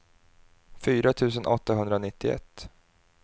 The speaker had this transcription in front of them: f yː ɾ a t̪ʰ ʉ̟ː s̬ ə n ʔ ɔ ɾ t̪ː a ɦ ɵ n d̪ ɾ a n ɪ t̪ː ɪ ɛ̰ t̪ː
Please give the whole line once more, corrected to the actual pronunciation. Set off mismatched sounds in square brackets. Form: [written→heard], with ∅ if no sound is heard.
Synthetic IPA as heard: f yː ɾ a t̪ʰ ʉ̟ː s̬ ə n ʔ ɔ [ɾ→∅] t̪ː a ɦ ɵ n d̪ ɾ a n ɪ t̪ː ɪ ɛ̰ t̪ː

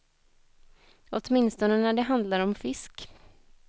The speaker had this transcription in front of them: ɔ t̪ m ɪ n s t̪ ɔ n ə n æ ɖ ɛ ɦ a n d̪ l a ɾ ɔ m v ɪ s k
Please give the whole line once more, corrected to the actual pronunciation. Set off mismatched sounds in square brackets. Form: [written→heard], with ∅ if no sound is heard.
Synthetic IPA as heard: ɔ t̪ m ɪ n s t̪ ɔ n ə n æ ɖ ɛ ɦ a n d̪ l a ɾ ɔ m [v→f] ɪ s k

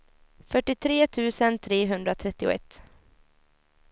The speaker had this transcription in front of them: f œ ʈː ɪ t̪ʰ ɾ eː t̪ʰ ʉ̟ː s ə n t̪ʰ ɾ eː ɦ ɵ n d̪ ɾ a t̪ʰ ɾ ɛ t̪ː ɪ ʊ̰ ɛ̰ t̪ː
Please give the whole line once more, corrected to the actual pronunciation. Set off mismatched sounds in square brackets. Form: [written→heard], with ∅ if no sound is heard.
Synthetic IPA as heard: f œ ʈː ɪ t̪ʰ ɾ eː t̪ʰ ʉ̟ː s ə n t̪ʰ ɾ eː ɦ ɵ n d̪ ɾ a t̪ʰ ɾ ɛ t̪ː ɪ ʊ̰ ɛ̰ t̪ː

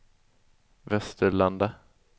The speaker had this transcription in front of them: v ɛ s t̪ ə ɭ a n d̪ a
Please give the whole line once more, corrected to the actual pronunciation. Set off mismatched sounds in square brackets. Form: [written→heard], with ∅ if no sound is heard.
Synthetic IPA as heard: v ɛ s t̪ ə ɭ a n d̪ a

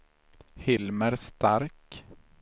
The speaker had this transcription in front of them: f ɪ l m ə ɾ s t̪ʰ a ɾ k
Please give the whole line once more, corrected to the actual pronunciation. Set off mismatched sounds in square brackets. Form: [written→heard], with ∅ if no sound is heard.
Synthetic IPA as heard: [f→h] ɪ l m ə ɾ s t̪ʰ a ɾ k

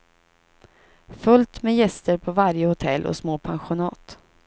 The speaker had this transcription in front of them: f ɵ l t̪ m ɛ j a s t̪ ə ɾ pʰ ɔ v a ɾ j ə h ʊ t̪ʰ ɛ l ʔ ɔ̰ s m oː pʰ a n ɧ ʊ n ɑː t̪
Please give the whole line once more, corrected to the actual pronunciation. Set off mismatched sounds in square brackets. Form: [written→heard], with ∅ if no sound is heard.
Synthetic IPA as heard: f ɵ l t̪ m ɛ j [a→ɛ] s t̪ ə ɾ pʰ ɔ v a ɾ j ə h ʊ t̪ʰ ɛ l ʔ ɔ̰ s m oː pʰ a n ɧ ʊ n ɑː t̪

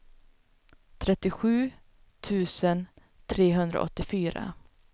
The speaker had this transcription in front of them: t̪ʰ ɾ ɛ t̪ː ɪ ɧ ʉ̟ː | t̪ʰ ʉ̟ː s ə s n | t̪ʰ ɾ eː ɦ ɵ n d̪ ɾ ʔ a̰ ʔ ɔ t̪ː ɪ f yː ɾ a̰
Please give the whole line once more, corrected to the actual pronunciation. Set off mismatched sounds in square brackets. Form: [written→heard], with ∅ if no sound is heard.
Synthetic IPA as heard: t̪ʰ ɾ ɛ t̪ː ɪ ɧ ʉ̟ː | t̪ʰ ʉ̟ː s ə [s→∅] n | t̪ʰ ɾ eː ɦ ɵ n d̪ ɾ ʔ a̰ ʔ ɔ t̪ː ɪ f yː ɾ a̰

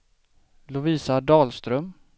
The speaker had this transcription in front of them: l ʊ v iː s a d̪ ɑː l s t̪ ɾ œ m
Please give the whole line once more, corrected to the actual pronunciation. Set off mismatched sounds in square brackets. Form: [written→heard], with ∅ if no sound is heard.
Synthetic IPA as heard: l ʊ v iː s a d̪ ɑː l s t̪ ɾ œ m

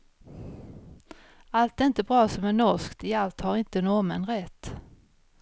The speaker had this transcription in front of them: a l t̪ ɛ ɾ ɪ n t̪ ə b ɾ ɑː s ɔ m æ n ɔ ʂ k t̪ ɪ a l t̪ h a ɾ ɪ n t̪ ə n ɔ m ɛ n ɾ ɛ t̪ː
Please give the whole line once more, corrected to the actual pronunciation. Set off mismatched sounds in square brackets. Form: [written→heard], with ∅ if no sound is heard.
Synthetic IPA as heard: a l t̪ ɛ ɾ ɪ n t̪ ə b ɾ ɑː s ɔ m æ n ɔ ʂ k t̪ ɪ a l t̪ h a ɾ ɪ n t̪ ə n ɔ m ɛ n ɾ ɛ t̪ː

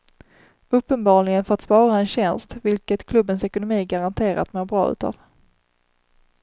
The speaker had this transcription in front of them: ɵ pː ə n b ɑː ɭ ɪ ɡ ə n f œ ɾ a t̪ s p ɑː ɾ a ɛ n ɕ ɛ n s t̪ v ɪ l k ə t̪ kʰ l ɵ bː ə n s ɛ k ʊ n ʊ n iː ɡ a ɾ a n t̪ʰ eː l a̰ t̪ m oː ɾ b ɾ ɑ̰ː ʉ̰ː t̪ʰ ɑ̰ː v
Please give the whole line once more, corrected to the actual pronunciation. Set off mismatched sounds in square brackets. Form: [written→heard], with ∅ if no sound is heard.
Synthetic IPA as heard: ɵ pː ə n b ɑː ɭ ɪ ɡ ə n f œ ɾ a t̪ s p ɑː ɾ a ɛ n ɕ ɛ n s t̪ v ɪ l k ə t̪ kʰ l ɵ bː ə n s ɛ k ʊ n ʊ [n→m] iː ɡ a ɾ a n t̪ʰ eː [l→ɾ] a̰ t̪ m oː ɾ b ɾ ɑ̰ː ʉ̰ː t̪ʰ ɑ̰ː v

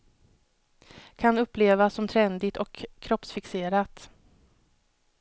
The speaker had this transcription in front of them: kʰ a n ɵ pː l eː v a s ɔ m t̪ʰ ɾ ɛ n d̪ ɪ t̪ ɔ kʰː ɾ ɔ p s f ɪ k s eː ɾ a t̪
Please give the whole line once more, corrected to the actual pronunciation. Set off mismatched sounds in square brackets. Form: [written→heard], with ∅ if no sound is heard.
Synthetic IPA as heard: kʰ a n ɵ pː l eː v a s ɔ m t̪ʰ ɾ ɛ n d̪ ɪ t̪ ɔ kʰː ɾ ɔ p s f ɪ k s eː ɾ a t̪

